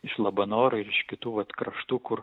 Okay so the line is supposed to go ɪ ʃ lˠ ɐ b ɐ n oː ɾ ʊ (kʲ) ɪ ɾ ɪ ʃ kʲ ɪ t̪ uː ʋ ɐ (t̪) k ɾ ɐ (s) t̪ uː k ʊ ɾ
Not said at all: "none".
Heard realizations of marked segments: none, t̪, ʃ

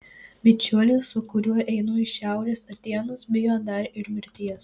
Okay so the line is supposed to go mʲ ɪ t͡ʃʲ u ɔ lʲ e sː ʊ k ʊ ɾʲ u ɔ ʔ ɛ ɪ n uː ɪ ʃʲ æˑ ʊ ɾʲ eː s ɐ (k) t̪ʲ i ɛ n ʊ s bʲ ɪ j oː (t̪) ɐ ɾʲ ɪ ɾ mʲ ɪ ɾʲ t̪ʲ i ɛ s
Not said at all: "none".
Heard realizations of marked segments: none, d̪

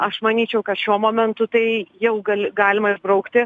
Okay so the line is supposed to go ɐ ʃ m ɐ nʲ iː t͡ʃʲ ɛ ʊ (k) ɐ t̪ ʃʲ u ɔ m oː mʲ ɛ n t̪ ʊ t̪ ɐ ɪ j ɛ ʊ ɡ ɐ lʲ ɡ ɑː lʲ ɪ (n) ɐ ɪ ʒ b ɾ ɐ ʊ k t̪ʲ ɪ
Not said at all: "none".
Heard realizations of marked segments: k, m

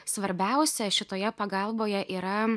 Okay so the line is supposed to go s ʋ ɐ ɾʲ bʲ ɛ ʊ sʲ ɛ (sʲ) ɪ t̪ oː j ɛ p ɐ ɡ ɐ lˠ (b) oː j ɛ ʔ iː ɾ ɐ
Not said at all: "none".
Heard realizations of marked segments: ʃʲ, b

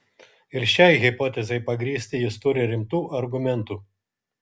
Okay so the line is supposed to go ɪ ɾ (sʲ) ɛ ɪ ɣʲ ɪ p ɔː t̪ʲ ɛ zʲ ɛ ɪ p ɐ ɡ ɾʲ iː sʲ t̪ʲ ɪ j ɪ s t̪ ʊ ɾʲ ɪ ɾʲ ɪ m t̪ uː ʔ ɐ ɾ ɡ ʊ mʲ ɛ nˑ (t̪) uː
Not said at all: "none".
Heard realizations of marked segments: ʃʲ, t̪

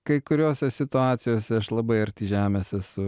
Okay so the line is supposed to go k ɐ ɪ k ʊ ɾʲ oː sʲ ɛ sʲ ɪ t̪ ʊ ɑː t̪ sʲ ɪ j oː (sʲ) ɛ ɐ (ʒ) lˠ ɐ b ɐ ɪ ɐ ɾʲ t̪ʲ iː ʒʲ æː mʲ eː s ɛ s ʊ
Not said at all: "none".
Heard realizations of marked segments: sʲ, ʃ

